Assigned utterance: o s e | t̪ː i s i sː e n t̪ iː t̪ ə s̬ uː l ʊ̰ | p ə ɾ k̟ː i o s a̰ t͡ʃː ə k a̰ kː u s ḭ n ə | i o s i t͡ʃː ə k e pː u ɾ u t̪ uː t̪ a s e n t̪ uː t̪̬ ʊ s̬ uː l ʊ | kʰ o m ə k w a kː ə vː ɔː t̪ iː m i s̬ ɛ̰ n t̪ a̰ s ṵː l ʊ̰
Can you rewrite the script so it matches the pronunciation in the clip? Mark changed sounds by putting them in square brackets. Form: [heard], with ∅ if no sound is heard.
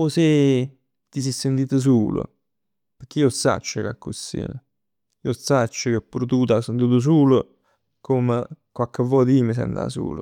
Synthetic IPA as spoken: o s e | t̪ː i s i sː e n t̪ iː t̪ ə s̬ uː l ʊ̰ | p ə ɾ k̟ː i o s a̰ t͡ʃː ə k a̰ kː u s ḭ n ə | i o s [a] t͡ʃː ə k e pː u ɾ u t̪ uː t̪ a s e n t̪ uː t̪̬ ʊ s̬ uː l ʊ | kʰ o m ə k w a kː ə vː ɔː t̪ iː m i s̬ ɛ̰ n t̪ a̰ s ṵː l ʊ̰